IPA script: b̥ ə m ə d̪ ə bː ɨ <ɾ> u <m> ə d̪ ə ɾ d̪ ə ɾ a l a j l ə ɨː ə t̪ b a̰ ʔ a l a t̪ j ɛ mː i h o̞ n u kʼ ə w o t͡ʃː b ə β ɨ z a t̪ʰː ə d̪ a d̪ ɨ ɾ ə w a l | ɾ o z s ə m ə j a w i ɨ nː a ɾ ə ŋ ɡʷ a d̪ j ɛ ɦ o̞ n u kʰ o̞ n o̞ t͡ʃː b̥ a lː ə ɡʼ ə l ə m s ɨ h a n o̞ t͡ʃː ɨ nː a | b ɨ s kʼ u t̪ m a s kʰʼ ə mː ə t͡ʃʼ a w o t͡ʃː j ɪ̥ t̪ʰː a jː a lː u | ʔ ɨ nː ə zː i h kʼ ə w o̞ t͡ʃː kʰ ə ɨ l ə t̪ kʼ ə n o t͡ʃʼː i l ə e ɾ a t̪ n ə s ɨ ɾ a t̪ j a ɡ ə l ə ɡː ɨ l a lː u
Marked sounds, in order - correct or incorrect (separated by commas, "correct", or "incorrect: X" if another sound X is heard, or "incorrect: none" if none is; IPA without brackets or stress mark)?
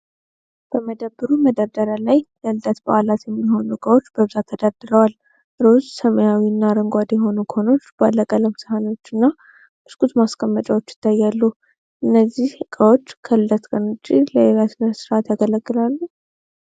correct, correct